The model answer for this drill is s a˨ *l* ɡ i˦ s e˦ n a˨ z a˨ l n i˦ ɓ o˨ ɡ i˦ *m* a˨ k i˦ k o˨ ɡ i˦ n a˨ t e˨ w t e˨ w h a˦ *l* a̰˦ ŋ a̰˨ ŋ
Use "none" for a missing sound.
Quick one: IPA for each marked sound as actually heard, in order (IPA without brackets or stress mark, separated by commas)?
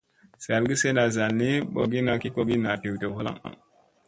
l, n, l